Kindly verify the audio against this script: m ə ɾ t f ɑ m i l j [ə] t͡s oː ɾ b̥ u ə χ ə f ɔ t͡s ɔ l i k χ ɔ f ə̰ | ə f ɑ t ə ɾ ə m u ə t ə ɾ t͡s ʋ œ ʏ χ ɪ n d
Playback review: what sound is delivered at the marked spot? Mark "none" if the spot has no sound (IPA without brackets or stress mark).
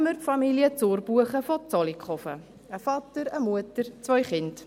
ə